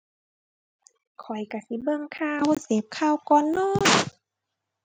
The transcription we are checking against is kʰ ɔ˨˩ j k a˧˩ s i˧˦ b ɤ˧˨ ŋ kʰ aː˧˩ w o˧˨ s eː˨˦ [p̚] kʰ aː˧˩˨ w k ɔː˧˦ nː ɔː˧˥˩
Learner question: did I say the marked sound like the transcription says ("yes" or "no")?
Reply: yes